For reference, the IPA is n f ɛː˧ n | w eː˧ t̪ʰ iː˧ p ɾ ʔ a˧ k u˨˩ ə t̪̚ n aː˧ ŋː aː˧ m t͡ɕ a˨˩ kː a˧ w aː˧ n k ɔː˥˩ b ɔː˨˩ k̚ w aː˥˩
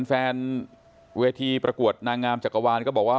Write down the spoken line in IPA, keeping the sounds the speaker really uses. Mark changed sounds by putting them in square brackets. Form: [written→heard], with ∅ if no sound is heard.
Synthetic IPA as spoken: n f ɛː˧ n | w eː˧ t̪ʰ iː˧ p ɾ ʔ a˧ k u˨˩ ə t̪̚ n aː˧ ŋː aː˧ m t͡ɕ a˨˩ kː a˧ w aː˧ n k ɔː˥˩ b ɔː˨˩ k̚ w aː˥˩